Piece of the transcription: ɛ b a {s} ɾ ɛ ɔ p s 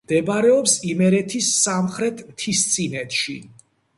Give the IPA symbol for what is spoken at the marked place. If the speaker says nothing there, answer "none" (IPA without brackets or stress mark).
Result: none